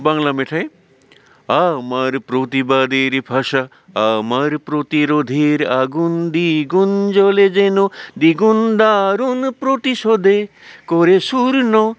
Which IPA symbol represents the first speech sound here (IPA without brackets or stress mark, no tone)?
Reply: b